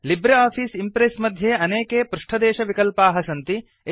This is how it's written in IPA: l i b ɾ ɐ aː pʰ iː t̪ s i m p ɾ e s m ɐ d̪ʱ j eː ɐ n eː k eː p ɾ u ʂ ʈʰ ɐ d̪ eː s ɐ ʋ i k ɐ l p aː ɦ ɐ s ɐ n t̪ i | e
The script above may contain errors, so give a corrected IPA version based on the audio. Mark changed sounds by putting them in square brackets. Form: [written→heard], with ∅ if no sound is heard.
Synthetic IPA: l i b ɾ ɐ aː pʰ iː [t̪→∅] s i m p ɾ e s m ɐ d̪ʱ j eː ɐ n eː k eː p ɾ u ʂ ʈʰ ɐ d̪ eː [s→ʃ] ɐ ʋ i k ɐ l p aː ɦ ɐ s ɐ n t̪ i | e

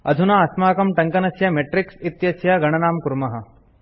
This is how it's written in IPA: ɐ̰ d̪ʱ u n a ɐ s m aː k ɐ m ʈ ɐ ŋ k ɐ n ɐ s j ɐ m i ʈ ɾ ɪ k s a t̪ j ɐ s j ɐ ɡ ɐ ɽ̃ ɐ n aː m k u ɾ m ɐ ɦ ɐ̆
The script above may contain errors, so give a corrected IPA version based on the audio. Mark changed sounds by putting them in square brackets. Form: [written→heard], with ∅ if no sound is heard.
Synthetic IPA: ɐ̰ d̪ʱ u n a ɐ s m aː k ɐ m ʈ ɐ ŋ k ɐ n ɐ s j ɐ m [i→e] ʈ ɾ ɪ k s [a→i] t̪ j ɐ s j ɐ ɡ ɐ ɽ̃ ɐ n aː m k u ɾ m ɐ ɦ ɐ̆

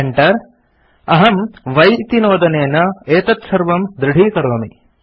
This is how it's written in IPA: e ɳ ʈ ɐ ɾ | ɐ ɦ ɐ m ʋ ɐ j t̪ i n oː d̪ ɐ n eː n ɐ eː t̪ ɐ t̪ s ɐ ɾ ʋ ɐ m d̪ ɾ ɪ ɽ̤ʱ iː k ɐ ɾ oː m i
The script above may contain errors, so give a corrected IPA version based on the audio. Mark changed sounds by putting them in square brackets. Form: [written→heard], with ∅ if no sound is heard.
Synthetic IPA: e ɳ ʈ ɐ ɾ | ɐ ɦ ɐ m ʋ ɐ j t̪ i n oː d̪ ɐ n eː n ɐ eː t̪ ɐ t̪ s ɐ ɾ ʋ ɐ m d̪ ɾ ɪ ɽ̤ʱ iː k ɐ ɾ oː m i

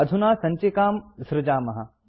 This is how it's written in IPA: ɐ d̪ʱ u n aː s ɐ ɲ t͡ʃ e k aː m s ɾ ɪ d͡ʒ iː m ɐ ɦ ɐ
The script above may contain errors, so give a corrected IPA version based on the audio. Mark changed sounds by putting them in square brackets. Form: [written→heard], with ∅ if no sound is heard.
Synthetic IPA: ɐ d̪ʱ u n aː s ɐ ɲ t͡ʃ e k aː m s ɾ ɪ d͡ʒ [iː→aː] m ɐ ɦ ɐ

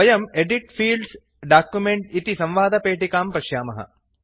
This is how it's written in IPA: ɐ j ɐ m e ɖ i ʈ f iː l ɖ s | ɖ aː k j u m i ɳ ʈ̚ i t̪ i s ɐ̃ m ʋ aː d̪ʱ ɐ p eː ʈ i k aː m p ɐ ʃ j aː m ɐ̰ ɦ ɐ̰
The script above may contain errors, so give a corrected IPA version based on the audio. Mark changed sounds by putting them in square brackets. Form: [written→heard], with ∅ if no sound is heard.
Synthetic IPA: ɐ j ɐ m e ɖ i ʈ f iː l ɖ s | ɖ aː k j u m [i→e] ɳ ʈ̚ i t̪ i s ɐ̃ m ʋ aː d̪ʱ ɐ p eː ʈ i k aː m p ɐ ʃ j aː m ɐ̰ ɦ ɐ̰

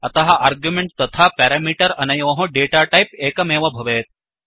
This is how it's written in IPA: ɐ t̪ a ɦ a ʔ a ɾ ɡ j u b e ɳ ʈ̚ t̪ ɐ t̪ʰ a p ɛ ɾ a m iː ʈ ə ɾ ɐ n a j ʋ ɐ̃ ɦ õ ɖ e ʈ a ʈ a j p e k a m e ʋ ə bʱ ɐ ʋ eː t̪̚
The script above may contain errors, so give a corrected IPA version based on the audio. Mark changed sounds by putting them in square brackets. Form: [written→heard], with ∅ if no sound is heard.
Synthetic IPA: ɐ t̪ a ɦ a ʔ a ɾ ɡ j u [b→m] e ɳ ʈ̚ t̪ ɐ t̪ʰ a p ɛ ɾ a m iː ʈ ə ɾ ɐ n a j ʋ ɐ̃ ɦ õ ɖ e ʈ a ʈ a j p e k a m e ʋ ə bʱ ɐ ʋ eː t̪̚

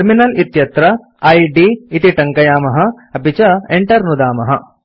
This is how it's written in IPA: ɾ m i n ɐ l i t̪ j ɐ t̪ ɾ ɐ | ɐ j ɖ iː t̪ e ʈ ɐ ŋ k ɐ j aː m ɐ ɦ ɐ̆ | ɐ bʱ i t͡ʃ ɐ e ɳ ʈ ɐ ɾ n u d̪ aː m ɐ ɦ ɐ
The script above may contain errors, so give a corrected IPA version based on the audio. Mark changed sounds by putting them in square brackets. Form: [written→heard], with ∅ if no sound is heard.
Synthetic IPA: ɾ m i n ɐ l i t̪ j ɐ t̪ ɾ ɐ | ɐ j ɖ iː t̪ [e→i] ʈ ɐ ŋ k ɐ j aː m ɐ ɦ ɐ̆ | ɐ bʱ i t͡ʃ ɐ e ɳ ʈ ɐ ɾ n u d̪ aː m ɐ ɦ ɐ

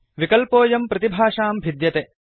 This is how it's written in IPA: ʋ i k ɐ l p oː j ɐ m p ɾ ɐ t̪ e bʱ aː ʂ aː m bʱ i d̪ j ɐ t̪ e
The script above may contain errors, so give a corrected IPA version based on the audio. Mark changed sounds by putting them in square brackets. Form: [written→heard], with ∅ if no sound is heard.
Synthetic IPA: ʋ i k ɐ l p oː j ɐ m p ɾ ɐ t̪ [e→i] bʱ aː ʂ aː m bʱ i d̪ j ɐ t̪ e

